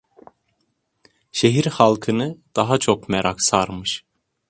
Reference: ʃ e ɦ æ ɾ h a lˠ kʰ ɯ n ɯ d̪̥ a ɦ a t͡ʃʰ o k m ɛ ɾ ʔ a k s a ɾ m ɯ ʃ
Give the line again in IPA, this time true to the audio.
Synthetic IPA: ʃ e ɦ i ɾ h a lˠ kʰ ɯ n ɯ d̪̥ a ɦ a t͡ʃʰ o k m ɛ ɾ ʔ a k s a ɾ m ɯ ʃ